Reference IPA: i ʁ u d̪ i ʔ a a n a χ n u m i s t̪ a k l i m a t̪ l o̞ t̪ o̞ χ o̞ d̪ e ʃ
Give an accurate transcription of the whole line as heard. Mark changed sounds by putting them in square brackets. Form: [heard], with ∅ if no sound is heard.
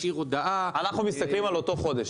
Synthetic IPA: i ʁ [o] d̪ [a] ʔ a a n a χ n u m i s t̪ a k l i m a [∅] l o̞ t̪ o̞ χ o̞ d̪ e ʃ